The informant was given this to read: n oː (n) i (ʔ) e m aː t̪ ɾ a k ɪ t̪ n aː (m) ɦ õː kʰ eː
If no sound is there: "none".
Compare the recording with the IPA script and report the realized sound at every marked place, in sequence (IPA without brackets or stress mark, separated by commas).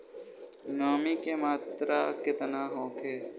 m, k, none